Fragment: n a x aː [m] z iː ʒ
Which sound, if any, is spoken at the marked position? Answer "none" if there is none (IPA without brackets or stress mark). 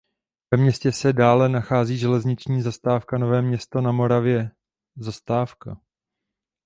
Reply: none